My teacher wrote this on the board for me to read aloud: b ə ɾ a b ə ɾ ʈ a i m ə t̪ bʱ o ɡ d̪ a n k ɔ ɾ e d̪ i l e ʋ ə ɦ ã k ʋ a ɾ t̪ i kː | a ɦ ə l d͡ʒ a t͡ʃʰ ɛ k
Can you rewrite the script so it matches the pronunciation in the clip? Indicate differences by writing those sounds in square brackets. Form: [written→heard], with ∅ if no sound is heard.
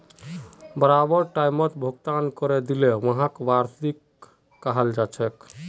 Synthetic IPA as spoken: b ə ɾ a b ə ɾ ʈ a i m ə t̪ bʱ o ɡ [d̪→t̪] a n k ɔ ɾ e d̪ i l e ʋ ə ɦ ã k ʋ a ɾ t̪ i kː | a ɦ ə l d͡ʒ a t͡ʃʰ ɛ k